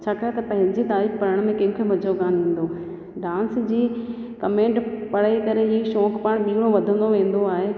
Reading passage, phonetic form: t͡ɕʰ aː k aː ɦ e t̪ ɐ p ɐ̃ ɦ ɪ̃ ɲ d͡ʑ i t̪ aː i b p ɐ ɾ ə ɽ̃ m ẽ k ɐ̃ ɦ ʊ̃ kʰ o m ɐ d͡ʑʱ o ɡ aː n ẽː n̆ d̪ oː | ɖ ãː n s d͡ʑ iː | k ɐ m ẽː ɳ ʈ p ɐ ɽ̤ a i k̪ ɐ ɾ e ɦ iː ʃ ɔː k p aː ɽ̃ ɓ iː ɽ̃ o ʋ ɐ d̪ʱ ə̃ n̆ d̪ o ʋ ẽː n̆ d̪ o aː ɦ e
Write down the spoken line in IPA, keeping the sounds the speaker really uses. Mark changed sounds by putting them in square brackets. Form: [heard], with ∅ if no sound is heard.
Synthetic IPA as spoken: t͡ɕʰ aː k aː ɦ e t̪ ɐ p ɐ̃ ɦ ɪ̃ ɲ d͡ʑ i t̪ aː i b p ɐ ɾ ə ɽ̃ m ẽ k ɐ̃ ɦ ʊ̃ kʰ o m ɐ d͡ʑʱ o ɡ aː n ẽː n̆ d̪ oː | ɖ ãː n s d͡ʑ iː | k ɐ m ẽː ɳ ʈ p ɐ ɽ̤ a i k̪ ɐ ɾ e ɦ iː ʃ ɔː k p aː ɽ̃ ɓ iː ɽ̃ o ʋ ɐ d̪ʱ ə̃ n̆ d̪ o ʋ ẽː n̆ d̪ o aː ɦ e